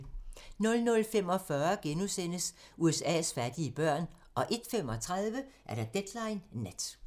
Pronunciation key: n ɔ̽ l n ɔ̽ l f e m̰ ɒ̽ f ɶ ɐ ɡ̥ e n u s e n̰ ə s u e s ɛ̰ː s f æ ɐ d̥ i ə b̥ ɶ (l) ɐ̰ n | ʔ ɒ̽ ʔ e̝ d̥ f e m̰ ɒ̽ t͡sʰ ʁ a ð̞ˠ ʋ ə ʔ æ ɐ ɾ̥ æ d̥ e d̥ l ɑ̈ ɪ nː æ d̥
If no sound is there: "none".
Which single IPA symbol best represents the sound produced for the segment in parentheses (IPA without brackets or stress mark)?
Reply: none